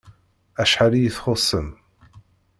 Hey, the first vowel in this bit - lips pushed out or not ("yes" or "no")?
no